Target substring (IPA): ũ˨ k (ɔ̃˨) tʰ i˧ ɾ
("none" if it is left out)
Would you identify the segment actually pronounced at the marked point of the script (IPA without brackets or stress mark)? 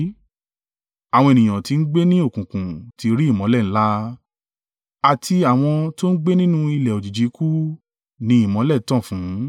ũ˨